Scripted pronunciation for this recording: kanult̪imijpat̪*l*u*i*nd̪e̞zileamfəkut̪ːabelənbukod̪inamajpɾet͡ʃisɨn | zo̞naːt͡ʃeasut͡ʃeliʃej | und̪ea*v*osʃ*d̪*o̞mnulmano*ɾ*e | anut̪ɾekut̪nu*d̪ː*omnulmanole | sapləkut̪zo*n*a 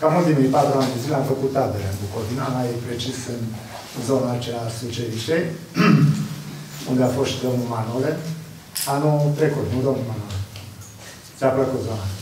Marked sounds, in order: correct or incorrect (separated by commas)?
incorrect, incorrect, incorrect, correct, incorrect, incorrect, correct